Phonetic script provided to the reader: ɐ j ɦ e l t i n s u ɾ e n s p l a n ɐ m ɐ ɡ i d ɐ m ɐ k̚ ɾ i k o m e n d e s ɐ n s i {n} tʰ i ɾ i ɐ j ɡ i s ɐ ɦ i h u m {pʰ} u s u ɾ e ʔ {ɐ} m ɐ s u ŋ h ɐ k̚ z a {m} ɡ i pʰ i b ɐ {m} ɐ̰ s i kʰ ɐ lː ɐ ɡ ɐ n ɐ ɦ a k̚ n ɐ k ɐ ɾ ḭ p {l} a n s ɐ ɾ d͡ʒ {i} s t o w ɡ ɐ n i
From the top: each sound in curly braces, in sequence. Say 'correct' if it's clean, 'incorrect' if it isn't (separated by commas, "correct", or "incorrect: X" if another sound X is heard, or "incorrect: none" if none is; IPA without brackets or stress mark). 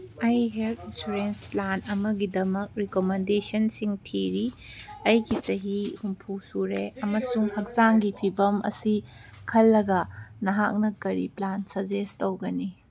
incorrect: ŋ, correct, correct, incorrect: ŋ, correct, correct, incorrect: e